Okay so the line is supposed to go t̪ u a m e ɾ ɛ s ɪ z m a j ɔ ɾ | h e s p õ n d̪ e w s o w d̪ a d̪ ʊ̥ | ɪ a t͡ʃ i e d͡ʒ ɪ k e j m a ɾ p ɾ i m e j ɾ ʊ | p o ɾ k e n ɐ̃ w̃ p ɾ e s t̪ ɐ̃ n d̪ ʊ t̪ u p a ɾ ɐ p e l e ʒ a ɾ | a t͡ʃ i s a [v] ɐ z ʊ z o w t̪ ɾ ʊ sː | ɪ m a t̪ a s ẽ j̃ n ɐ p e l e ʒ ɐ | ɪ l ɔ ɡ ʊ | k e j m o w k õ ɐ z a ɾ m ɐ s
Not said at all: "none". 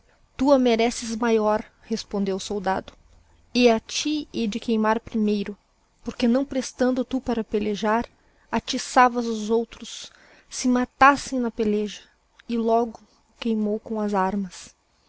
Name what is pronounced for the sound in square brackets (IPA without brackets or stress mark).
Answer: v